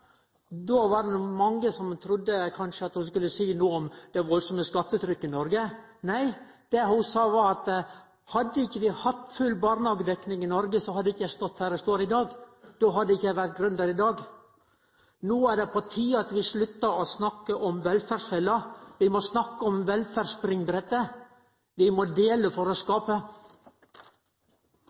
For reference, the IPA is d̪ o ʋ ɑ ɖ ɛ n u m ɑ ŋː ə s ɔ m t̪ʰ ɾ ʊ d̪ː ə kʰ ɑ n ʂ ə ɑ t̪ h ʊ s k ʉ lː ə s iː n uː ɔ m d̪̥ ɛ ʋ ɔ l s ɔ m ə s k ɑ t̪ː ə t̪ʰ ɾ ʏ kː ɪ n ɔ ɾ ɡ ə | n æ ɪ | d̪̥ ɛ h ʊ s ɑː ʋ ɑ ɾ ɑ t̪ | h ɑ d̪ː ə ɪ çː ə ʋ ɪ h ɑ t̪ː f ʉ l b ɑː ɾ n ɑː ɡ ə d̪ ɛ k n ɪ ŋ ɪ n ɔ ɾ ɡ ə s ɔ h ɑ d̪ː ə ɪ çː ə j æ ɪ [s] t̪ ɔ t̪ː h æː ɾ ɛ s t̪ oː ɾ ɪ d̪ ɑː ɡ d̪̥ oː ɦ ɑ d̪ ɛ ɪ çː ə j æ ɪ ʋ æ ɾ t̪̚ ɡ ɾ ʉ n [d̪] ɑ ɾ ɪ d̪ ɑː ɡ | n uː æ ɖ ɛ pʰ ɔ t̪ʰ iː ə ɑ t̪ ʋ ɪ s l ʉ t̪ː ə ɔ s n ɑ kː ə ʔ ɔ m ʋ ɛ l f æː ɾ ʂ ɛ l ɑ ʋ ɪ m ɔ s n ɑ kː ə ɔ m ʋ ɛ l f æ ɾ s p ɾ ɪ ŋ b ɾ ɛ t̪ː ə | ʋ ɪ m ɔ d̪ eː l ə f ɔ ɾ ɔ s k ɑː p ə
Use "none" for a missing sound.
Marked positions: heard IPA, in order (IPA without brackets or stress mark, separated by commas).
s, d̪